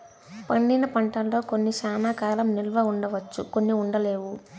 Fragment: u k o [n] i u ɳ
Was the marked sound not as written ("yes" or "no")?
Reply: yes